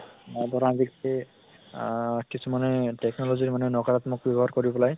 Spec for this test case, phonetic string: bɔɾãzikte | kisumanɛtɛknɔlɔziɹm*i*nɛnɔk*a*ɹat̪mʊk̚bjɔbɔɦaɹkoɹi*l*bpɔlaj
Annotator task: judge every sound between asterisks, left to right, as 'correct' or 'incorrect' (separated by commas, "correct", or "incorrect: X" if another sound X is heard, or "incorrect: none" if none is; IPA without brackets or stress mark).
incorrect: a, correct, incorrect: none